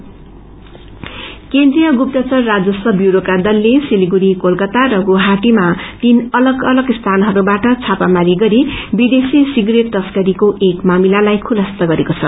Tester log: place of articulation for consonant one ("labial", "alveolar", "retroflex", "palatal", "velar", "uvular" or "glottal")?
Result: velar